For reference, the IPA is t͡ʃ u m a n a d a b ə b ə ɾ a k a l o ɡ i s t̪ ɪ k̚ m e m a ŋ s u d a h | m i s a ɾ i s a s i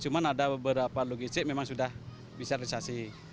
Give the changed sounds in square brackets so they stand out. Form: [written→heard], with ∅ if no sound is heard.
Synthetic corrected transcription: t͡ʃ u m a n a d a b ə b ə ɾ a [k→p] a l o ɡ i s t̪ ɪ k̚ m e m a ŋ s u d a h | [m→b] i s a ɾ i s a s i